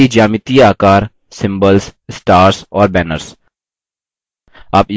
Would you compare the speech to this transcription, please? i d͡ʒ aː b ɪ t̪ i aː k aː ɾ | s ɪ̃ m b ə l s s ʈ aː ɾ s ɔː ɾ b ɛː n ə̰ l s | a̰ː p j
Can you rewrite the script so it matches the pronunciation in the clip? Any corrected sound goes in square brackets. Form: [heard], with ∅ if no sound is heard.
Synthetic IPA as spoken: i d͡ʒ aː [m] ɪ t̪ i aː k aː ɾ | s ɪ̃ m b ə l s s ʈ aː ɾ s ɔː ɾ b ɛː n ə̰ [ɾ] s | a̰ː p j